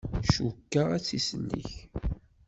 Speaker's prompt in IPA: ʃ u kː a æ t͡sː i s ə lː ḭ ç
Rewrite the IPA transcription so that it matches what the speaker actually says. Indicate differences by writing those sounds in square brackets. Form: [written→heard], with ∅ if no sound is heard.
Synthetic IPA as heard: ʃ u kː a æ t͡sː i s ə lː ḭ ç